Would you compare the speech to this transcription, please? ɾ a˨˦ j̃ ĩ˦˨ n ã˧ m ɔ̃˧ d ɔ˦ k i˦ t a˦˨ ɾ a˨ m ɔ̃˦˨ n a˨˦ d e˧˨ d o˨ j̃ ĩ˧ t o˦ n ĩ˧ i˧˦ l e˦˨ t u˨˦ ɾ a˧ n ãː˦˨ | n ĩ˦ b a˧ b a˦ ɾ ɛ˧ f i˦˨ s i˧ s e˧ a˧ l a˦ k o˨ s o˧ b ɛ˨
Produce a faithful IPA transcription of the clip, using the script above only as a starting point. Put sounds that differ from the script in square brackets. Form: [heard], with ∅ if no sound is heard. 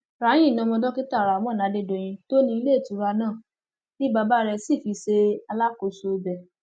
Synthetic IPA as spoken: ɾ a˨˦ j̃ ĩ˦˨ n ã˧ m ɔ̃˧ d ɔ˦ k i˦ t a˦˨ ɾ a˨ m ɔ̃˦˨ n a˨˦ d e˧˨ d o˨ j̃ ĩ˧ t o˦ n ĩ˧ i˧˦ l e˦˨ t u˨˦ ɾ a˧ n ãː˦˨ | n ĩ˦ b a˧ b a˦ ɾ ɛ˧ [s] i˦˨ [f] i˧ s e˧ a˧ l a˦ k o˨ s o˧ b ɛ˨